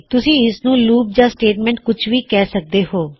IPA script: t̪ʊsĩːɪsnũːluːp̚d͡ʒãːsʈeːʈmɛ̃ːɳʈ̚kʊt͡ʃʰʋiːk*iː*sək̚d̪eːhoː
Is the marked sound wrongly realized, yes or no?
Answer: yes